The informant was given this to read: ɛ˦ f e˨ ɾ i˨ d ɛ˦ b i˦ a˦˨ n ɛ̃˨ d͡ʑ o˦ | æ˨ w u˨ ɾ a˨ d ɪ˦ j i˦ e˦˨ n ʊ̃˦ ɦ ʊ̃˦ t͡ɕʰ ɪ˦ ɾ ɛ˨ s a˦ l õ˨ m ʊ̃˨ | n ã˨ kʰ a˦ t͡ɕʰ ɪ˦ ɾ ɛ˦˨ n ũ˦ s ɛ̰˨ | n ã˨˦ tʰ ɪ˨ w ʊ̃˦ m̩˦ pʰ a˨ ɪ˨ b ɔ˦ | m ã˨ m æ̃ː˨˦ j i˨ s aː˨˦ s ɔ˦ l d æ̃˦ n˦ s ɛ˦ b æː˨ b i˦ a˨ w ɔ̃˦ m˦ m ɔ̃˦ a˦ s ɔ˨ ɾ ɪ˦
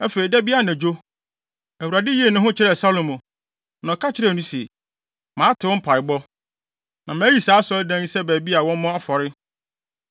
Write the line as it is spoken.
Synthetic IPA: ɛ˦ f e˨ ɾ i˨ d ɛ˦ b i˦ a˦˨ n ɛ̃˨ d͡ʑ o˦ | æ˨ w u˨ ɾ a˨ d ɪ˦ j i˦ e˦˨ n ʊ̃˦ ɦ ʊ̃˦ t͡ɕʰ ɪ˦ ɾ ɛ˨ s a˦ l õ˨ m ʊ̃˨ | n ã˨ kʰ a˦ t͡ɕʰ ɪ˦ ɾ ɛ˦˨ n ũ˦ s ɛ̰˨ | m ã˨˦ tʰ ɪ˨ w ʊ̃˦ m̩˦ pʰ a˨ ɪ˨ b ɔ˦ | n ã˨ m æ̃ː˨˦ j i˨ s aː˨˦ s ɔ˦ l d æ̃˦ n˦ s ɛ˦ b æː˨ b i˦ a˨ w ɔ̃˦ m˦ m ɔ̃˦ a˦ f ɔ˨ ɾ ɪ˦